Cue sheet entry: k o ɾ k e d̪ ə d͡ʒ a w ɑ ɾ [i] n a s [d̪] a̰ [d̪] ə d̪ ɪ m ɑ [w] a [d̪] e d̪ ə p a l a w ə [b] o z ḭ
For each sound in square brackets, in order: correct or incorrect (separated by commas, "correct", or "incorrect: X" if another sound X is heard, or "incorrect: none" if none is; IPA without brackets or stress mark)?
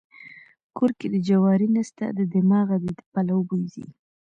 correct, incorrect: t̪, correct, incorrect: ɣ, correct, correct